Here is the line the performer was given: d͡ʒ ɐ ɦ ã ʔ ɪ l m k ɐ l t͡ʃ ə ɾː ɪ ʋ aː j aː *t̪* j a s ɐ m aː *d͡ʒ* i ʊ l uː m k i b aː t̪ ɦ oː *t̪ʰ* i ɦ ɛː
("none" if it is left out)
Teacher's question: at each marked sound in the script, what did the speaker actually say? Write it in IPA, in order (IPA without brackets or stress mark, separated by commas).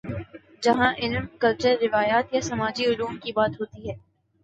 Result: t̪, d͡ʒ, t̪